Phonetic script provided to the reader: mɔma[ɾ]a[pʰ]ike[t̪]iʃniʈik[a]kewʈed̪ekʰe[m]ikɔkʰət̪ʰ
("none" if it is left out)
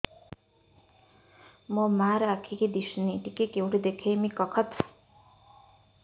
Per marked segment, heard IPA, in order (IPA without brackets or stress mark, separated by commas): ɾ, kʰ, d̪, e, m